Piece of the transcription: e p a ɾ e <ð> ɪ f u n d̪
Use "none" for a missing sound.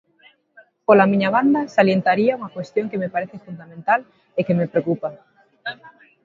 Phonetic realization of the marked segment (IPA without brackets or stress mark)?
θ